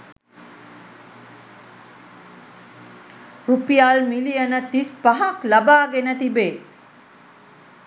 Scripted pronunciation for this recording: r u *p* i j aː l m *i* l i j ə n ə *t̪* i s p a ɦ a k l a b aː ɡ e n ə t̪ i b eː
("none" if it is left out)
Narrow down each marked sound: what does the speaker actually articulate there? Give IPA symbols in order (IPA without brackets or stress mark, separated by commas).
p, i, t̪